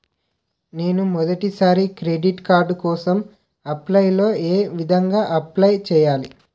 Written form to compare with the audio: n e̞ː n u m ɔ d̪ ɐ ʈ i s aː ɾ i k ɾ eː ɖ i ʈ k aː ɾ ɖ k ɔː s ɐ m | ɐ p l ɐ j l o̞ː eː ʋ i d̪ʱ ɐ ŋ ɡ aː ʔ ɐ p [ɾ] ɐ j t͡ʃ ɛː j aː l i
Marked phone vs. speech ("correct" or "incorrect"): incorrect